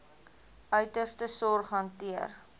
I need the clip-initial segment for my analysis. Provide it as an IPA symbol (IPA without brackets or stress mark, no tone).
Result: œ